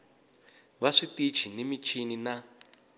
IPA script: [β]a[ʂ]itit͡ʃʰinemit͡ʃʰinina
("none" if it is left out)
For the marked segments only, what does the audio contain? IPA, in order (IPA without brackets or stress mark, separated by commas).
β, ʂ